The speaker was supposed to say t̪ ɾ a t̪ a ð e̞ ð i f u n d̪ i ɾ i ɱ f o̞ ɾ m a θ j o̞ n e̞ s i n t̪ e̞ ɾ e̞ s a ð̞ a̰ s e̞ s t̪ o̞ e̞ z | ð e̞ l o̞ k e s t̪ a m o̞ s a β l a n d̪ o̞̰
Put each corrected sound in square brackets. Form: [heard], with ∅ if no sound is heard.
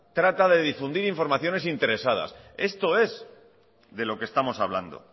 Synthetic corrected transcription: t̪ ɾ a t̪ a ð e̞ ð i f u n d̪ i ɾ i ɱ f o̞ ɾ m a θ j o̞ n e̞ s i n t̪ e̞ ɾ e̞ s a ð̞ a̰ s e̞ s t̪ o̞ e̞ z | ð e̞ l o̞ k e s t̪ a m o̞ s a β l a n d̪ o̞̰